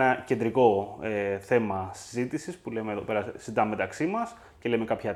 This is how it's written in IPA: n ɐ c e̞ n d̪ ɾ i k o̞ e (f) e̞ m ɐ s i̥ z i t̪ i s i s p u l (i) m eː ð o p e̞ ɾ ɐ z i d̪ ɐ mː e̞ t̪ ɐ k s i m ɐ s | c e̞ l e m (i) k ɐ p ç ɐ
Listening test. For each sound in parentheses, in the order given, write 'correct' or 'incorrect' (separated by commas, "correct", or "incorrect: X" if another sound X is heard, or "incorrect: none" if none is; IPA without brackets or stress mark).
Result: incorrect: θ, incorrect: e, incorrect: e